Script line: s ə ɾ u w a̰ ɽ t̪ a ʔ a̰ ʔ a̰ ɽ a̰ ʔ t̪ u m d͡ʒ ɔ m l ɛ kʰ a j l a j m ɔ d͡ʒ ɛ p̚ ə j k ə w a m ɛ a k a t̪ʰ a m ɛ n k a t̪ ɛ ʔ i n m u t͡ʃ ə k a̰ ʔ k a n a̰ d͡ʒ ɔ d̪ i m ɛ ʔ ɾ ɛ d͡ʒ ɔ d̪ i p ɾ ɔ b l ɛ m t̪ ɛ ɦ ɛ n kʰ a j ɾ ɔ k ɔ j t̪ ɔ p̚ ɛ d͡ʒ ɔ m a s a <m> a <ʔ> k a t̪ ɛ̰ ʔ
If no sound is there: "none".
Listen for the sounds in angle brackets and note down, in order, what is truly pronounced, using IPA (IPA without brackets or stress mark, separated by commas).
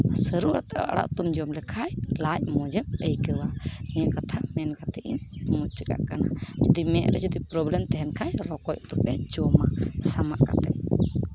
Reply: m, ʔ